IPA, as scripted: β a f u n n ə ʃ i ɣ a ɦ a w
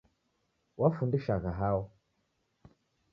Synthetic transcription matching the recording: w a f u n d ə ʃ a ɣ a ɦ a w